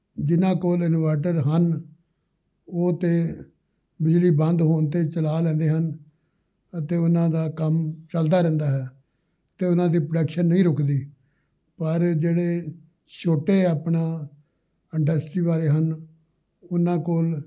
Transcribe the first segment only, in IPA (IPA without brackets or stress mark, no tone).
d͡ʒ